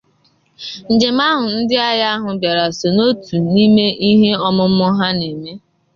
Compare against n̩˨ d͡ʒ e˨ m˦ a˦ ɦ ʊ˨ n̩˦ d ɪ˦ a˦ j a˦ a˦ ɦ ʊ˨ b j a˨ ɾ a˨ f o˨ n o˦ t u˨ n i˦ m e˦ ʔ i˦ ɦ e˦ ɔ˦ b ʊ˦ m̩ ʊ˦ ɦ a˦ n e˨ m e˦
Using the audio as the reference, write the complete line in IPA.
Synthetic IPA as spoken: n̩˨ d͡ʒ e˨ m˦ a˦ ɦ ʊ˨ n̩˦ d ɪ˦ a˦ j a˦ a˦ ɦ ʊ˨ b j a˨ ɾ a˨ s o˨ n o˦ t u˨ n i˦ m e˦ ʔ i˦ ɦ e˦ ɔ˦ m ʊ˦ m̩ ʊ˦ ɦ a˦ n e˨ m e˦